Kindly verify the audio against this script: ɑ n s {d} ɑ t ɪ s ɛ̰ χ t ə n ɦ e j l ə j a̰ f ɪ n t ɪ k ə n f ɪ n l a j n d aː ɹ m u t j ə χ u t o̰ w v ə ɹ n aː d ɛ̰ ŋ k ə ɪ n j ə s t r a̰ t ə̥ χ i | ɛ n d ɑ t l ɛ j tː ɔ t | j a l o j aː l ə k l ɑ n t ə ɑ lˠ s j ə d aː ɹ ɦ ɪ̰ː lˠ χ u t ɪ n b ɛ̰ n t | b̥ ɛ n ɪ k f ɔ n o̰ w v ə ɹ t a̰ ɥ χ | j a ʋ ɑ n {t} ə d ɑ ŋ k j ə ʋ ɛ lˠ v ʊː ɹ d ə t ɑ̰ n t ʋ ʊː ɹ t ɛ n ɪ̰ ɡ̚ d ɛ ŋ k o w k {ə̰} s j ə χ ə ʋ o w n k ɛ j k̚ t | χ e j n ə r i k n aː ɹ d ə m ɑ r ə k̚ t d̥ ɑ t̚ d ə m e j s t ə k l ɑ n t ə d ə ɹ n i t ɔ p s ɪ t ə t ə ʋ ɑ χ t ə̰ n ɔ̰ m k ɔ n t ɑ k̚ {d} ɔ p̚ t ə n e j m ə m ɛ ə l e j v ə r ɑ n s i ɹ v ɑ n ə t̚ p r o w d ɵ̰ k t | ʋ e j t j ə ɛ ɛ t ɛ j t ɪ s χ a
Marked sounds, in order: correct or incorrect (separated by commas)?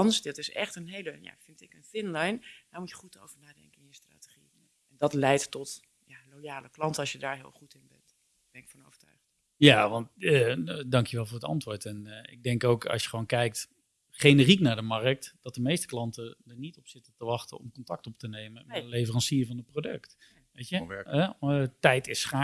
correct, correct, incorrect, incorrect